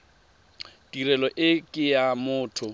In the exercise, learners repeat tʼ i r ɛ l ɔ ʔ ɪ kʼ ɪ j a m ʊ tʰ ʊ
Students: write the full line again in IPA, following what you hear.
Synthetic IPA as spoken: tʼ i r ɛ l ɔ ʔ ɪ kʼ ɪ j a m ʊː tʰ ʊ